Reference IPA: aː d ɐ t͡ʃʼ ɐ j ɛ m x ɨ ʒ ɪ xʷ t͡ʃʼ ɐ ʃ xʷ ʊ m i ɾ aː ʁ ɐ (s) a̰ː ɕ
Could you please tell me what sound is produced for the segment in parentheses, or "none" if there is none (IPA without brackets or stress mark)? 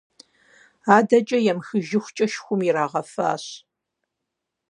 f